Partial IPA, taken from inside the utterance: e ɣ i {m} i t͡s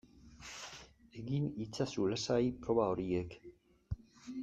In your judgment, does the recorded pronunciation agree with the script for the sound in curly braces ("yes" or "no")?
no